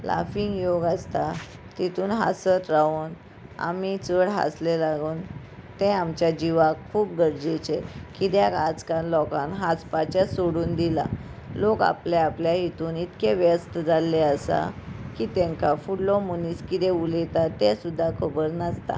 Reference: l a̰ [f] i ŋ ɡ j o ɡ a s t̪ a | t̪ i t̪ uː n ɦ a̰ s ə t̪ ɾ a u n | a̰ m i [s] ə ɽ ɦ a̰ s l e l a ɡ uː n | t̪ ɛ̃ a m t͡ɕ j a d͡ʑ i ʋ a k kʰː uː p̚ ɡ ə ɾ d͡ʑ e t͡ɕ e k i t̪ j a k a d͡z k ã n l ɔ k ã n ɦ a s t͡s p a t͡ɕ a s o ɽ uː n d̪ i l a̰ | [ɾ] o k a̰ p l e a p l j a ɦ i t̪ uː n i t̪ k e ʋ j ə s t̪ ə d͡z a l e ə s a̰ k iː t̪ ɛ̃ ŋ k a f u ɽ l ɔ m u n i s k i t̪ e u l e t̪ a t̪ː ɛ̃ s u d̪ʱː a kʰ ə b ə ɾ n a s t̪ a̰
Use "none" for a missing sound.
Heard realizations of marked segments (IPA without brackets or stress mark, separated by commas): f, t͡s, l